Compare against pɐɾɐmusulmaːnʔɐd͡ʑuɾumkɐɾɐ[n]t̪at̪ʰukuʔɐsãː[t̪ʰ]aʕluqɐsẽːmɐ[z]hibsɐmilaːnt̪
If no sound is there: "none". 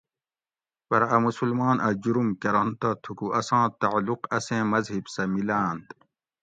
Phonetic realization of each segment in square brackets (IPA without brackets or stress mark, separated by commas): n, t̪, z